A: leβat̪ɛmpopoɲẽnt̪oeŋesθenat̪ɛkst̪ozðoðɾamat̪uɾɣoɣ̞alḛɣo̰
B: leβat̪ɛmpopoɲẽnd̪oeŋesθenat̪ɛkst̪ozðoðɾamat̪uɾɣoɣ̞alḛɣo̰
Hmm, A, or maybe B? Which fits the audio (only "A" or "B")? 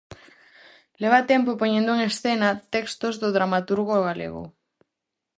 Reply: B